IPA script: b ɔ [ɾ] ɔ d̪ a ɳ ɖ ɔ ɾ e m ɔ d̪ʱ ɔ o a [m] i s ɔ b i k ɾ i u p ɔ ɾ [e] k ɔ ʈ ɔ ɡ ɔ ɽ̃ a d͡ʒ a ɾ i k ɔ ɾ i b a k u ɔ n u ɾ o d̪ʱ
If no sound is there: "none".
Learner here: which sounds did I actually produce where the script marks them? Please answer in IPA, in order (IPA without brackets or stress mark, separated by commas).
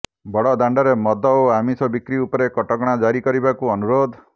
ɽ, m, e